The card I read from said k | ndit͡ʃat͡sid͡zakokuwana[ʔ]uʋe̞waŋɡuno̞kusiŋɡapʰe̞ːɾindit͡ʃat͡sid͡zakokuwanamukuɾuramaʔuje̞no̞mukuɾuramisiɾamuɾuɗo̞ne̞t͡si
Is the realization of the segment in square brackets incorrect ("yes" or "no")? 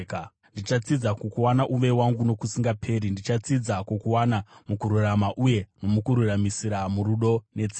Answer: no